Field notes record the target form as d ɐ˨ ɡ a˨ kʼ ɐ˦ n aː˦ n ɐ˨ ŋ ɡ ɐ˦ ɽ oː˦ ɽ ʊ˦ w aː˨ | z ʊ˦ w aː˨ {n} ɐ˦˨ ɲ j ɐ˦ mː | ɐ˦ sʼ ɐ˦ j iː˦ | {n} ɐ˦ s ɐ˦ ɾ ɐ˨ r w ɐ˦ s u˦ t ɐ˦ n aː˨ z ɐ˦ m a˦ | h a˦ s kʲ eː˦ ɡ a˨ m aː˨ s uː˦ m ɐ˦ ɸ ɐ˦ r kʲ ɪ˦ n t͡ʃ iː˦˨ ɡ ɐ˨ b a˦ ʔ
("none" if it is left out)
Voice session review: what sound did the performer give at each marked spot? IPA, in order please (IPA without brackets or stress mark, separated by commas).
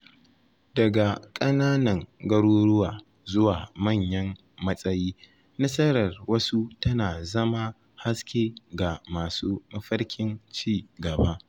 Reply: m, n